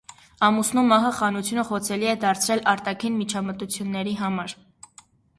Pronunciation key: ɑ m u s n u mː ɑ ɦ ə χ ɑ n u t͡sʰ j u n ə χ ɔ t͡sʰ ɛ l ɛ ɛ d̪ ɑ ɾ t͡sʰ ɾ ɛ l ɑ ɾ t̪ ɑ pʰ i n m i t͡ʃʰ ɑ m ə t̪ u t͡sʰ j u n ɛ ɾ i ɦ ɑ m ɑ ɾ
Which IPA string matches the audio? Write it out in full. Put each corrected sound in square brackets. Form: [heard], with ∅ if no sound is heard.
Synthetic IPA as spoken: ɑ m u s n u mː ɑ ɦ ə χ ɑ n u t͡sʰ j u n ə χ ɔ t͡sʰ ɛ l [i] ɛ d̪ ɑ ɾ t͡sʰ ɾ ɛ l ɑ ɾ t̪ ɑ [kʰ] i n m i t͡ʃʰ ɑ m ə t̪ u t͡sʰ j u [nː] ɛ ɾ i ɦ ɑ m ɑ ɾ